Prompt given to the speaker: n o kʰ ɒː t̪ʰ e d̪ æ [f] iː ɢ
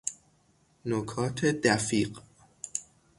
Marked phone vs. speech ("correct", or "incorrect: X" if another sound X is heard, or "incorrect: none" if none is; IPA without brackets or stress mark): correct